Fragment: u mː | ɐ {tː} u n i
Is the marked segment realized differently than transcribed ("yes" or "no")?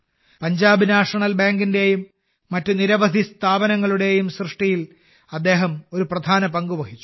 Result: no